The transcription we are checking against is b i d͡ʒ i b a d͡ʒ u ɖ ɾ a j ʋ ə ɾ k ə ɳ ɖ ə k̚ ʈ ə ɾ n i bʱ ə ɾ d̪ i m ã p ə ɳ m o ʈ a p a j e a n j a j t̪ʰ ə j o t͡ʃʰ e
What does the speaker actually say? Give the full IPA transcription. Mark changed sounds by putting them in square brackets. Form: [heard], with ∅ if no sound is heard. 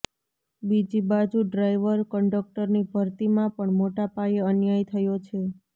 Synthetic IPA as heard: b i d͡ʒ i b a d͡ʒ u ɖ ɾ a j ʋ ə ɾ k ə ɳ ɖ ə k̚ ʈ ə ɾ n i bʱ ə ɾ [t̪] i m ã p ə ɳ m o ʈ a p a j e [ə] n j a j t̪ʰ ə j o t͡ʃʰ e